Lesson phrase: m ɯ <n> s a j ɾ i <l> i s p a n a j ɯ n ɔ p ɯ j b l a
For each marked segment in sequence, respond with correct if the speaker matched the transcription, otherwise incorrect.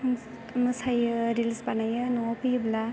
incorrect: none, correct

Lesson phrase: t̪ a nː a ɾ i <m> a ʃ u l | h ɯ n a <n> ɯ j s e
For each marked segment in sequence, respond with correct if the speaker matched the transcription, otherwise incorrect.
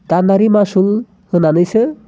correct, correct

